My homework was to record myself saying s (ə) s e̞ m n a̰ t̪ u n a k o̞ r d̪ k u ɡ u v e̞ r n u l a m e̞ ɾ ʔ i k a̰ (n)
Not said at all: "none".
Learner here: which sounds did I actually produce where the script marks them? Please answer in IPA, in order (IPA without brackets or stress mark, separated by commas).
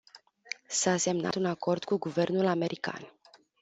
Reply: a, n